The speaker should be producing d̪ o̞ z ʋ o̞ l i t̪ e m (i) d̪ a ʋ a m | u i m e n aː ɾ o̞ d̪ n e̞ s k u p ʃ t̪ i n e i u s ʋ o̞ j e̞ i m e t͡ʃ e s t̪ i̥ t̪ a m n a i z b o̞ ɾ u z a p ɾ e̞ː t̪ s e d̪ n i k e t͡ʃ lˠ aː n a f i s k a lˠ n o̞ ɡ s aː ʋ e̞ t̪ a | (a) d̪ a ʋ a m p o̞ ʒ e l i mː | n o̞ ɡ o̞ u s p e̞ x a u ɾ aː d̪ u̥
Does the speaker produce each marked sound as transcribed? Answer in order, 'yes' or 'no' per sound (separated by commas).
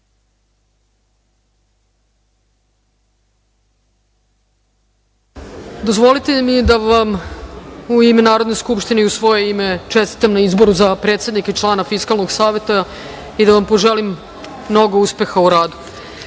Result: yes, no